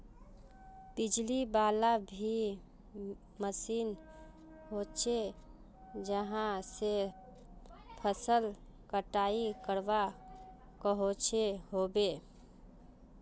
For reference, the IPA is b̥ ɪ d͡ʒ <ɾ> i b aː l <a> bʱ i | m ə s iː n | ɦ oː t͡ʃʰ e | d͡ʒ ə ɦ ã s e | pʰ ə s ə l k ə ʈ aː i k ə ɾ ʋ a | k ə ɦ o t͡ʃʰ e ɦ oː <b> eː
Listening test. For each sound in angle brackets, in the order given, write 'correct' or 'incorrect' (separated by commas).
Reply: incorrect, correct, correct